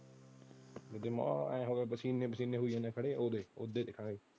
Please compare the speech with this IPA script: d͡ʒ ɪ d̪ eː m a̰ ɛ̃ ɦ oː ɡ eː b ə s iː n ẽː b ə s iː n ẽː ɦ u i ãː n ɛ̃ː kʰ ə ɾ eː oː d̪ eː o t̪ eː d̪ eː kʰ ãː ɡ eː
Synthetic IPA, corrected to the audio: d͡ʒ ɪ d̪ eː m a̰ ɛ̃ ɦ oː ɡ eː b ə s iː n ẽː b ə s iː n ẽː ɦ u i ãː n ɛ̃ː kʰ ə ɽ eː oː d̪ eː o d̪ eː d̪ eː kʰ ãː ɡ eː